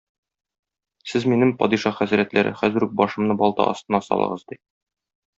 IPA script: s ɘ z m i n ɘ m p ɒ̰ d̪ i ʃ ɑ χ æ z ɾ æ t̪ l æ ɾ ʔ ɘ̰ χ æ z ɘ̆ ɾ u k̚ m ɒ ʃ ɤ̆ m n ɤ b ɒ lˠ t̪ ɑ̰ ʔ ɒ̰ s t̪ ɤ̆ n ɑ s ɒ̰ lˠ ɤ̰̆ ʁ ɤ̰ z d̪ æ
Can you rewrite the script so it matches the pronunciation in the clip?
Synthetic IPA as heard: s ɘ z m i n ɘ m p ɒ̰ d̪ i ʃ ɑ χ æ z ɾ æ t̪ l æ ɾ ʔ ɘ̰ χ æ z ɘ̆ ɾ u k̚ b ɒ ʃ ɤ̆ m n ɤ b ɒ lˠ t̪ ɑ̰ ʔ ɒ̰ s t̪ ɤ̆ n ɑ s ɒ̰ lˠ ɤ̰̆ ʁ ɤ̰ z d̪ i